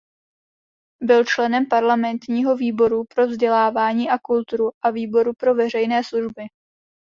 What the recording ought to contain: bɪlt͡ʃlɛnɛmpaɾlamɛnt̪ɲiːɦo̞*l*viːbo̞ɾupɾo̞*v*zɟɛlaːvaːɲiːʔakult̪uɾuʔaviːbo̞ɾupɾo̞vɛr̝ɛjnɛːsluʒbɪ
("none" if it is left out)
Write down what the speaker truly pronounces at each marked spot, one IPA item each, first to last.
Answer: none, v

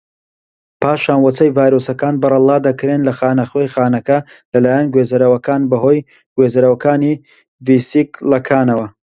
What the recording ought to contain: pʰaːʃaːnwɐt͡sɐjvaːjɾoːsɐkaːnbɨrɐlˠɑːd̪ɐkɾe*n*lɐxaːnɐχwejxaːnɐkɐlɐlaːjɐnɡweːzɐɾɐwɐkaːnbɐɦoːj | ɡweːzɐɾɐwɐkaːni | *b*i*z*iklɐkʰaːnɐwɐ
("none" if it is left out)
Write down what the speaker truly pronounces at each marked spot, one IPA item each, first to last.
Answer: n, v, s

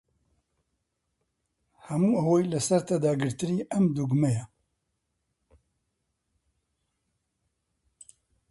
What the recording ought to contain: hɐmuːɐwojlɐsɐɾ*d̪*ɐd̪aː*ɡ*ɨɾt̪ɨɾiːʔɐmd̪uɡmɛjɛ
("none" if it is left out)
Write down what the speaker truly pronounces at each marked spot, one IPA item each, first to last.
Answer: t̪, ɡ

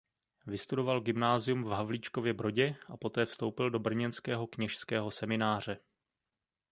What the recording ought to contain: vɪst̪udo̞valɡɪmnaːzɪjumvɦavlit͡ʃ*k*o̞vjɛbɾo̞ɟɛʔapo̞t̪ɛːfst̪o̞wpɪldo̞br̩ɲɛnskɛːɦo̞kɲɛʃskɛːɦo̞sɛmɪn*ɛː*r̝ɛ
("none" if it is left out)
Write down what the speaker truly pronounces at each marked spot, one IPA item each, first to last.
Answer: k, aː

